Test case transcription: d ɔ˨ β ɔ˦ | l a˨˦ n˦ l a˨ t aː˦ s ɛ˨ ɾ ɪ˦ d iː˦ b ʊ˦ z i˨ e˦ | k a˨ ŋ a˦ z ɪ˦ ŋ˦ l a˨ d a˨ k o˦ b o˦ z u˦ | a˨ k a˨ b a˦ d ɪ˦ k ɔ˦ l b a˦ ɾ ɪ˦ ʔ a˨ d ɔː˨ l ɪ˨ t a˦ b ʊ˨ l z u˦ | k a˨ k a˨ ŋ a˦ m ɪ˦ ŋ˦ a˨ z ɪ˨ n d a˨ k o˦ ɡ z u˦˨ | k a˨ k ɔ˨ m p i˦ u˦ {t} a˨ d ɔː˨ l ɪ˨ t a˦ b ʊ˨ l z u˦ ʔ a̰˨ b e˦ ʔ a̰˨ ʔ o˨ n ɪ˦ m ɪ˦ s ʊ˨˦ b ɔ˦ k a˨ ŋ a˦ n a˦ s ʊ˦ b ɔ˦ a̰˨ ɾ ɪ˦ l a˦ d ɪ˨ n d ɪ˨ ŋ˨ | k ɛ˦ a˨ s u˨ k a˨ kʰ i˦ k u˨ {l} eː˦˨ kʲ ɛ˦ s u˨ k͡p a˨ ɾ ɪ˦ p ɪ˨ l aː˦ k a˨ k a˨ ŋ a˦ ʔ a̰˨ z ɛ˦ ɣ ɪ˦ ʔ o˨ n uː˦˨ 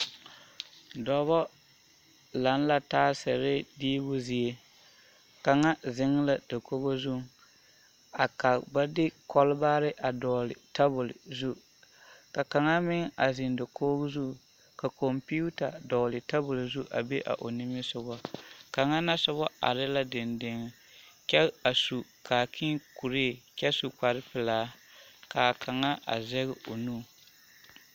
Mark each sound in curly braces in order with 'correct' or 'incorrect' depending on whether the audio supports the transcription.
correct, incorrect

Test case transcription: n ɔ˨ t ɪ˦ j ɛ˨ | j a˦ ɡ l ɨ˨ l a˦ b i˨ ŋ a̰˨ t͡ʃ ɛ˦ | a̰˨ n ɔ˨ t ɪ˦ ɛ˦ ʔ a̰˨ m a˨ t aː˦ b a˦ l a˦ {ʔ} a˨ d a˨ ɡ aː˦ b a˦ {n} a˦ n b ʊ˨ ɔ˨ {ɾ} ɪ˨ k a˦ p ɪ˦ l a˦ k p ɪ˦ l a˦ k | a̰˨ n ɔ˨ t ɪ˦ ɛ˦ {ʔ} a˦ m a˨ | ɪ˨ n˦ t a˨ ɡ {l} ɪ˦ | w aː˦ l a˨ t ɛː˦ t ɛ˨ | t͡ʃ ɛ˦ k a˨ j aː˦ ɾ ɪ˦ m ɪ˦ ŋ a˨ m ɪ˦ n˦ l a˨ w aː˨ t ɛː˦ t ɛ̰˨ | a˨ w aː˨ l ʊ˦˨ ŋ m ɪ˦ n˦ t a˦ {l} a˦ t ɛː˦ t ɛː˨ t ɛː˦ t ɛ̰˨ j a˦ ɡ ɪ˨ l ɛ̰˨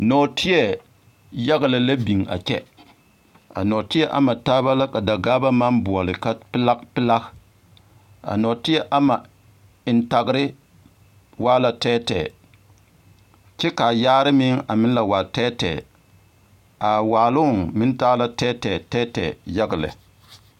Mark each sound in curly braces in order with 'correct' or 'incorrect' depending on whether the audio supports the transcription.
incorrect, incorrect, incorrect, correct, incorrect, correct

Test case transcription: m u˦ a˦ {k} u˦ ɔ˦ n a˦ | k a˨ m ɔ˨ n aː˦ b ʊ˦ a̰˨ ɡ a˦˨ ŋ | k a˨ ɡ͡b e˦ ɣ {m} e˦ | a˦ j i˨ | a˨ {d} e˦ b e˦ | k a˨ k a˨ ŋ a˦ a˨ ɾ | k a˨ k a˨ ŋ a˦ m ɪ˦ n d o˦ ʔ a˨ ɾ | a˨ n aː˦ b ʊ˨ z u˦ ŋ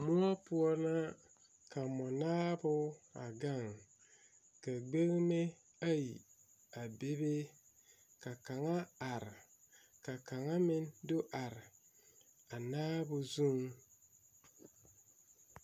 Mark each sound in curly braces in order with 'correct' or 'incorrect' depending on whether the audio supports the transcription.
incorrect, correct, incorrect

